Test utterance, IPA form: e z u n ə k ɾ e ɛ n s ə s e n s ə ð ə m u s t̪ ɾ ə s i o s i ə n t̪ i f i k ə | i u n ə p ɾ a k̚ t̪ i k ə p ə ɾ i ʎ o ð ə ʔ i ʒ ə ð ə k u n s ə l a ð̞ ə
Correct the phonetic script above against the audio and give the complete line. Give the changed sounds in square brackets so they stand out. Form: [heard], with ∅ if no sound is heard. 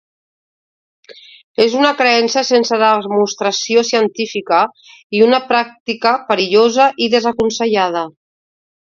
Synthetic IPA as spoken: e z u n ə k ɾ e ɛ n s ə s e n s ə ð ə m u s t̪ ɾ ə s i o s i ə n t̪ i f i k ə | i u n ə p ɾ a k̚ t̪ i k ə p ə ɾ i ʎ o [z] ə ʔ i [ð] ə [z] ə k u n s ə [ʎ] a ð̞ ə